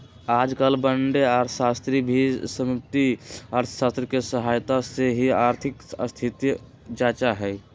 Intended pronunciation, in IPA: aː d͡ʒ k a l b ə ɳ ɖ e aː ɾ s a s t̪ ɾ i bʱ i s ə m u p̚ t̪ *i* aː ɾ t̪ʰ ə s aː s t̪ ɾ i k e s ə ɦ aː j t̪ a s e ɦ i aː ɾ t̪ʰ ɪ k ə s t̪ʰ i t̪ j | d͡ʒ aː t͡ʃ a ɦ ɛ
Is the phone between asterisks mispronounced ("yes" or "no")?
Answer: no